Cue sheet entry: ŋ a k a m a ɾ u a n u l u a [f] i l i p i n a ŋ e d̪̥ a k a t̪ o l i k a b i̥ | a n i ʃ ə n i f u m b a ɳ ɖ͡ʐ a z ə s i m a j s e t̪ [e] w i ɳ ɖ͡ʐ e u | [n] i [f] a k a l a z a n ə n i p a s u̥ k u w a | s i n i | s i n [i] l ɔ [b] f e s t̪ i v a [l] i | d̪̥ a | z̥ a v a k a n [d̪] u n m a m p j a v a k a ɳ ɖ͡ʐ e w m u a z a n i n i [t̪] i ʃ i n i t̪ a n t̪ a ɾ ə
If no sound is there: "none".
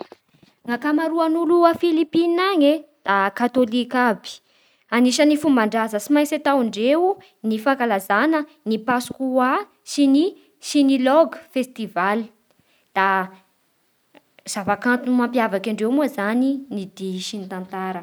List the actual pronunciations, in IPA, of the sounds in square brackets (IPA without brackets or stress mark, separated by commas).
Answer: f, a, n, f, i, ɡ, l, t̪, d̪